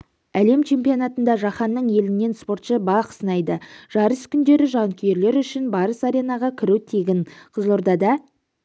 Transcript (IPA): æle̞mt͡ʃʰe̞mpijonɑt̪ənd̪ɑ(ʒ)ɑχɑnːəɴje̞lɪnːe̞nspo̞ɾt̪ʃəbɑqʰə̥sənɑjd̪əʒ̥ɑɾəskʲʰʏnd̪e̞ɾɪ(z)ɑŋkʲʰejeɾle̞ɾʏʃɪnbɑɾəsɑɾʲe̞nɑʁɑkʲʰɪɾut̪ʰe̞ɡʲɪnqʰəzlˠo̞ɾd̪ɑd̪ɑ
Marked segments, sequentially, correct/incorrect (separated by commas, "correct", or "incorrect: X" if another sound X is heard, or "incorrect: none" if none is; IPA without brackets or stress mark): correct, incorrect: ʒ